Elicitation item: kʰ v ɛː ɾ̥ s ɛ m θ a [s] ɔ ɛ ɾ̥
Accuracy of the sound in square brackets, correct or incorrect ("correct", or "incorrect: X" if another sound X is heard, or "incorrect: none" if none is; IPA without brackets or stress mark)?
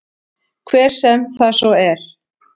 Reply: correct